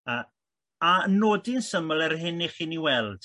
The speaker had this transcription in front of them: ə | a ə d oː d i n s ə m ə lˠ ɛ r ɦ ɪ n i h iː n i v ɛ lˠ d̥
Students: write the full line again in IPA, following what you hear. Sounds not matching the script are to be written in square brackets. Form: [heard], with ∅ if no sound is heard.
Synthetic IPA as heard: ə | a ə [n] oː d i n s ə m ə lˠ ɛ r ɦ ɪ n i [χ] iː n i [w] ɛ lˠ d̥